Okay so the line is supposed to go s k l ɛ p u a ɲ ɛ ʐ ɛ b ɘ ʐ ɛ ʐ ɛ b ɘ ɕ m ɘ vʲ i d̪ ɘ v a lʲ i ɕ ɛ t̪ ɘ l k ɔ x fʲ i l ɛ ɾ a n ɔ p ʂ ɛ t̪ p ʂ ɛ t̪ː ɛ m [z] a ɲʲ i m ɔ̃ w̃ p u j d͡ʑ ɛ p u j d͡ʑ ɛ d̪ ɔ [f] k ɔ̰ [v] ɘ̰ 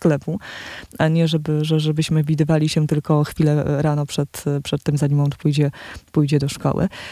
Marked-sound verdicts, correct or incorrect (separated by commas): correct, incorrect, incorrect